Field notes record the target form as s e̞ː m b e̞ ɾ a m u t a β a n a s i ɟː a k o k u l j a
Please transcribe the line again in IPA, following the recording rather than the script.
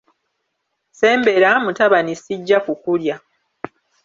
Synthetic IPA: s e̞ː m b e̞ ɾ a m u t a β a n i s i ɟː a k u k u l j a